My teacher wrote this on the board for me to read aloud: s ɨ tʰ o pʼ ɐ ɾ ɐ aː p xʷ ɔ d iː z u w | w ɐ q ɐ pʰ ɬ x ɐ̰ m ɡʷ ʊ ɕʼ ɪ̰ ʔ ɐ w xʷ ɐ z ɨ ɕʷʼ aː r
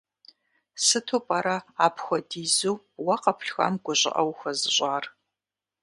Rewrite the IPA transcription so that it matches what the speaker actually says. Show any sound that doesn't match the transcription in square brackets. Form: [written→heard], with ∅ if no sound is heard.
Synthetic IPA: s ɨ tʰ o pʼ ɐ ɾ ɐ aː p xʷ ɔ d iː z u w | w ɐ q ɐ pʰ ɬ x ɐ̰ m ɡʷ ʊ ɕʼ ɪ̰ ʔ ɐ w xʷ ɐ z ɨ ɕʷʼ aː r